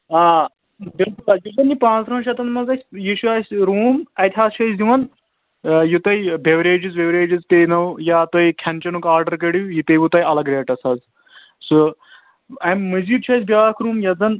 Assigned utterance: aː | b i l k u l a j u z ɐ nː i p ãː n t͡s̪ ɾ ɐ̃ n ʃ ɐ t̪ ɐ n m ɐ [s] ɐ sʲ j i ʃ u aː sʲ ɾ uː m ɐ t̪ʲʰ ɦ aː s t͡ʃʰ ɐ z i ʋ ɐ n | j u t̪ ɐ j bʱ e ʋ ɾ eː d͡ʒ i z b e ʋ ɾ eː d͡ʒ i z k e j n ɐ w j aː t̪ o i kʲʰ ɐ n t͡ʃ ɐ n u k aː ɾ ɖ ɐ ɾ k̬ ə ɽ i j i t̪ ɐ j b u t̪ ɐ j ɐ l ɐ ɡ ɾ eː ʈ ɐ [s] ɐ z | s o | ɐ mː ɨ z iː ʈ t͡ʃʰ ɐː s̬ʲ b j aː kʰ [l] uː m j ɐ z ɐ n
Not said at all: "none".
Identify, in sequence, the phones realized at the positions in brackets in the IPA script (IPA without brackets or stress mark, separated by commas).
z, s, ɾ